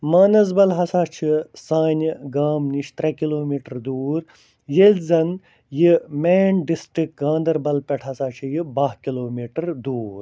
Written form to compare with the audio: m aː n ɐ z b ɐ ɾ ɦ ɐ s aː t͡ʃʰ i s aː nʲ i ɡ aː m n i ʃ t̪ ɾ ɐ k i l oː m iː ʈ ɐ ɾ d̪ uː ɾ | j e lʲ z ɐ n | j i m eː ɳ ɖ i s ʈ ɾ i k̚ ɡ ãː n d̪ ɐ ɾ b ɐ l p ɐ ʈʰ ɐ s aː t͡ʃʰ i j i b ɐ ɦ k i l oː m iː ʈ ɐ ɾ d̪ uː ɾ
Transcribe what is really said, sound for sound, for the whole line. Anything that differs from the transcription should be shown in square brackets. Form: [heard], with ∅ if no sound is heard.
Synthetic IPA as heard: m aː n ɐ z b ɐ [l] ɦ ɐ s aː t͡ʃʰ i s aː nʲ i ɡ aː m n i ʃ t̪ ɾ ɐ k i l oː m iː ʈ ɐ ɾ d̪ uː ɾ | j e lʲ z ɐ n | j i m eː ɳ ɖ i s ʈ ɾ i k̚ ɡ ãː n d̪ ɐ ɾ b ɐ l p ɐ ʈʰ ɐ s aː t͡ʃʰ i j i b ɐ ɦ k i l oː m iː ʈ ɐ ɾ d̪ uː ɾ